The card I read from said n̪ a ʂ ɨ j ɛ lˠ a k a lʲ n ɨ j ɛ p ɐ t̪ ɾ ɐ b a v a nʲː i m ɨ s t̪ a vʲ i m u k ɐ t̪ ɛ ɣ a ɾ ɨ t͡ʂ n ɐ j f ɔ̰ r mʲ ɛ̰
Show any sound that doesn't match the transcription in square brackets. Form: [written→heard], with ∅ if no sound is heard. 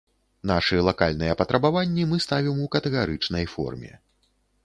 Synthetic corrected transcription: n̪ a ʂ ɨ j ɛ lˠ a k a lʲ n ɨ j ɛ p ɐ t̪ ɾ ɐ b a v a nʲː i m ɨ s t̪ a vʲ i m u k ɐ t̪ ɛ ɣ a ɾ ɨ t͡ʂ n ɐ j f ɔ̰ r mʲ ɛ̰